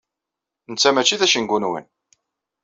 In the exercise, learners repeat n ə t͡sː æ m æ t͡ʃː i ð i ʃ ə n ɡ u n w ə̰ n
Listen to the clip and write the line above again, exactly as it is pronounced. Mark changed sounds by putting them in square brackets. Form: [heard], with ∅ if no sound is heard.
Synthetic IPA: n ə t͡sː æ m æ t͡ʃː i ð [æ] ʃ ə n ɡ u n w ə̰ n